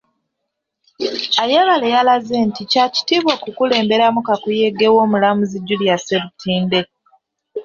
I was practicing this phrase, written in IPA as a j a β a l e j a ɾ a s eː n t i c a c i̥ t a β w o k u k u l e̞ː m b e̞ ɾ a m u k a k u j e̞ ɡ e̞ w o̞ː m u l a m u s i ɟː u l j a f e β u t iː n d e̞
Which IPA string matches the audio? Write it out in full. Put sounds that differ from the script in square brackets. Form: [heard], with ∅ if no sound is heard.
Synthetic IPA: a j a β a l e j a [l] a [z] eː n t i c a c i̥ t [i] β w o k u k u l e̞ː m b e̞ ɾ a m u k a k u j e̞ ɡ e̞ w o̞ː m u l a m u [z] i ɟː u l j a [s] e β u t iː n d e̞